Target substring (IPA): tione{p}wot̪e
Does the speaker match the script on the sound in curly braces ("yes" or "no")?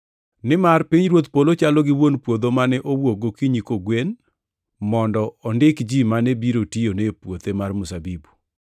yes